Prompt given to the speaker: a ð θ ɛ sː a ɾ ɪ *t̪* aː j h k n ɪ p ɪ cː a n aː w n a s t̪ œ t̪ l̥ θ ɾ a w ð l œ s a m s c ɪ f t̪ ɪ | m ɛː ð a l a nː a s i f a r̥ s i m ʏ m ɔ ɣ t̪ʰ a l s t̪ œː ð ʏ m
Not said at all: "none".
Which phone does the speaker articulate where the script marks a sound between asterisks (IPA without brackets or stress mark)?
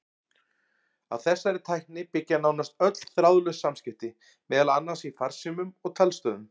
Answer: t̪ʰ